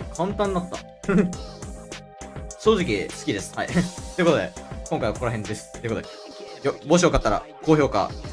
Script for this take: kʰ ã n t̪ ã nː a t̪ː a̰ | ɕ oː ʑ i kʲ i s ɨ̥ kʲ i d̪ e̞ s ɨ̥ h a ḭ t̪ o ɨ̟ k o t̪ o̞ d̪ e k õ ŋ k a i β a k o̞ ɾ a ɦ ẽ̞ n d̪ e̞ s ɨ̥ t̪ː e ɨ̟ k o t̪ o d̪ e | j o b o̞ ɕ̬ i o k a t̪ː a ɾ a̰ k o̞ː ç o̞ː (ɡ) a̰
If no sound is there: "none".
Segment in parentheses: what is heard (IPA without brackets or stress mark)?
k